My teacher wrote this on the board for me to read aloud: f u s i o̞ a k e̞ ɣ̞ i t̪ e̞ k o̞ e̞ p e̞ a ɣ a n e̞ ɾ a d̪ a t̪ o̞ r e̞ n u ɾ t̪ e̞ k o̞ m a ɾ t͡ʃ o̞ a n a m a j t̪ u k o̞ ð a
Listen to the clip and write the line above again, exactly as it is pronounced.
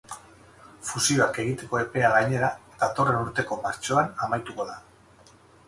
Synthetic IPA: f u s i o̞ a k e̞ ɣ̞ i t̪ e̞ k o̞ e̞ p e̞ a ɣ a ɲ e̞ ɾ a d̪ a t̪ o̞ r e̞ n u ɾ t̪ e̞ k o̞ m a ɾ t͡ʃ o̞ a n a m a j t̪ u k o̞ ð a